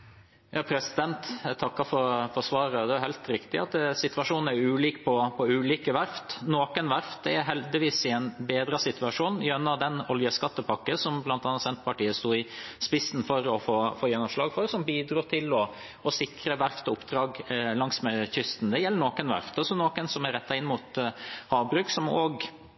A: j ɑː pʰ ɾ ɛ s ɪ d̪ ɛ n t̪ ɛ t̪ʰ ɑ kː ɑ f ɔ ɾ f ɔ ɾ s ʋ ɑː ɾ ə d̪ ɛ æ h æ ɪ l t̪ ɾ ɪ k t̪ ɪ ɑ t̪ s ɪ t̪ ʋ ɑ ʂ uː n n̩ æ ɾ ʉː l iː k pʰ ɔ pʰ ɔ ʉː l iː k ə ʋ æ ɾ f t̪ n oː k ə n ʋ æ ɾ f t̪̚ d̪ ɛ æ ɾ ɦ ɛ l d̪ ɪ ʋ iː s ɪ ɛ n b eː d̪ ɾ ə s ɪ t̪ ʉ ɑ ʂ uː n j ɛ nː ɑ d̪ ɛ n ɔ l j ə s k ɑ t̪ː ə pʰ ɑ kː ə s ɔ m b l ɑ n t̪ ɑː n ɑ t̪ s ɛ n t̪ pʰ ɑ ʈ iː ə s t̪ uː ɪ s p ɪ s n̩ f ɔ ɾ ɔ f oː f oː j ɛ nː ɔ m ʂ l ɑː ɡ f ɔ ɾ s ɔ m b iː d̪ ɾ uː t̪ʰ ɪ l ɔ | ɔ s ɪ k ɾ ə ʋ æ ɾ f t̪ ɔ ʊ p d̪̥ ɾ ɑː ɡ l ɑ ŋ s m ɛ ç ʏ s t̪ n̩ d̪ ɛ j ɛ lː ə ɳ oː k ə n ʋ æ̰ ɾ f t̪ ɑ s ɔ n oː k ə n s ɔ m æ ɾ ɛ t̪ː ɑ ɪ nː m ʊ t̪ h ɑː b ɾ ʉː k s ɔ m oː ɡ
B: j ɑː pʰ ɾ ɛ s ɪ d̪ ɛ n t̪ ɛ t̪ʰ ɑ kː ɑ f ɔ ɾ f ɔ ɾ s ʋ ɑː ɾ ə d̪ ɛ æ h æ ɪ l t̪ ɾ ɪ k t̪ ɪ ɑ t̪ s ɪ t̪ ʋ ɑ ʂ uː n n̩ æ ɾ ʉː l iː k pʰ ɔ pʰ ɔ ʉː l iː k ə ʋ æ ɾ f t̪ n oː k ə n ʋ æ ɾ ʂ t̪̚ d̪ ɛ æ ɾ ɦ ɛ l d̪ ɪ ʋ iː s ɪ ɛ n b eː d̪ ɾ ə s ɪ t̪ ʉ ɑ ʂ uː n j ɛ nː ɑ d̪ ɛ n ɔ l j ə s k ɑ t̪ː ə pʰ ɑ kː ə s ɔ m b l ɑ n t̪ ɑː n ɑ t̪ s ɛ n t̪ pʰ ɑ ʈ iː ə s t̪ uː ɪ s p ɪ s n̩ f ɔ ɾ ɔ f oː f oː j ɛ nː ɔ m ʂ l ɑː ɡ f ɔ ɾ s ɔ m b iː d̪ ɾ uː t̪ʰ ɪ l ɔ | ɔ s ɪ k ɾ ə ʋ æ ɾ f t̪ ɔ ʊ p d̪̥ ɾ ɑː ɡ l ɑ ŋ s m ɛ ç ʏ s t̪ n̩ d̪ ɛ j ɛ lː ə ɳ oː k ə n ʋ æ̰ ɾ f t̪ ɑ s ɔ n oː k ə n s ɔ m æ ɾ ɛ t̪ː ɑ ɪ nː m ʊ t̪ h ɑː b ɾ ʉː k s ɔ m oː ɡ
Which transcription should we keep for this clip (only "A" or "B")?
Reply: A